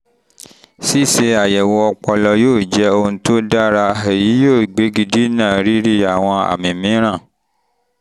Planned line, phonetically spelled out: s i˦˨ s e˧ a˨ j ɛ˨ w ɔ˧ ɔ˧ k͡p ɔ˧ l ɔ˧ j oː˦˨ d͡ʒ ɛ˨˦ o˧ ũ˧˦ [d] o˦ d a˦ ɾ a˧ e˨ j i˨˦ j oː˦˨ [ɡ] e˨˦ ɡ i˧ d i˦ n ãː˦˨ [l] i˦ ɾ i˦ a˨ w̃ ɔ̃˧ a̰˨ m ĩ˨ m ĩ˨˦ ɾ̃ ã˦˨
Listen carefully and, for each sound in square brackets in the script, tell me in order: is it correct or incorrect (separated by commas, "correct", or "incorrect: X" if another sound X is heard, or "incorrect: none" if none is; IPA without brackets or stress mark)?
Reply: incorrect: t, incorrect: ɡ͡b, incorrect: ɾ